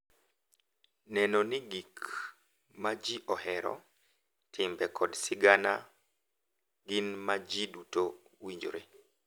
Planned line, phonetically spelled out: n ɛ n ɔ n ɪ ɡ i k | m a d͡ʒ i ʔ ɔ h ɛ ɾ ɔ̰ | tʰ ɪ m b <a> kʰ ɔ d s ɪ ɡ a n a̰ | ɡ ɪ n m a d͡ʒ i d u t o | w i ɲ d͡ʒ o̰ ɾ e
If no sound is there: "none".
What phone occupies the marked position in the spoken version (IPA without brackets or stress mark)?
ɛ